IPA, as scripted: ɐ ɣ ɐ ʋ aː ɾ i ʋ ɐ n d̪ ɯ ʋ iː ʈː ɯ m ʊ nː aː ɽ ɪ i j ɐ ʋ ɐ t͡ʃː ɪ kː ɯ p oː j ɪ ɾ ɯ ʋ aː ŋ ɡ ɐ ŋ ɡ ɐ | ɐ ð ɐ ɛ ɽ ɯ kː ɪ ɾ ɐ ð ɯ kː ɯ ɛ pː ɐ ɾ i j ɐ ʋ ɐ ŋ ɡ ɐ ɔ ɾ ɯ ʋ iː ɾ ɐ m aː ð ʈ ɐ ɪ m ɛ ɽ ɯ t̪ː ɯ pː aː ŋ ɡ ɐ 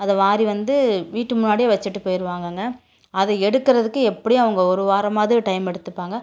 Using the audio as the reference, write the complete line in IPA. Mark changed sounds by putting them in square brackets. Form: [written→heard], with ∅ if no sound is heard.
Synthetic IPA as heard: ɐ [ɣ→ð] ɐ ʋ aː ɾ i ʋ ɐ n d̪ ɯ ʋ iː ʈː ɯ m ʊ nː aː ɽ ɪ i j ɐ ʋ ɐ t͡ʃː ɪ [kː→ʈː] ɯ p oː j ɪ ɾ ɯ ʋ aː ŋ ɡ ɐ ŋ ɡ ɐ | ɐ ð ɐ ɛ ɽ ɯ kː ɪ ɾ ɐ ð ɯ kː ɯ ɛ pː ɐ [ɾ→ɽ] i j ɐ ʋ ɐ ŋ ɡ ɐ ɔ ɾ ɯ ʋ [iː→aː] ɾ ɐ m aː ð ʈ ɐ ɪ m ɛ ɽ ɯ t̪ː ɯ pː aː ŋ ɡ ɐ